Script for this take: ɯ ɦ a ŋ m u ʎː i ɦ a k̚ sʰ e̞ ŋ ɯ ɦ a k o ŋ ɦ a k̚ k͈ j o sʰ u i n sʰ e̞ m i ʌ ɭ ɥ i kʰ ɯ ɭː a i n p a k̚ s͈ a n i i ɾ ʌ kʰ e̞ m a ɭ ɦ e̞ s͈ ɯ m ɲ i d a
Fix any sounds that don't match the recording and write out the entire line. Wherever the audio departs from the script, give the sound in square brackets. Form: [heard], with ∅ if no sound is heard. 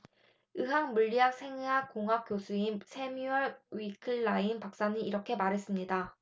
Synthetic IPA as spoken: ɯ ɦ a ŋ m u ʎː i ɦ a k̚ sʰ e̞ ŋ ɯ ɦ a k o ŋ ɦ a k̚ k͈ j o sʰ u i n sʰ e̞ m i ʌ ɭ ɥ i kʰ ɯ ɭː a i n p a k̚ s͈ a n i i ɾ ʌ kʰ e̞ m a [ɾ] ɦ e̞ s͈ ɯ m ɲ i d a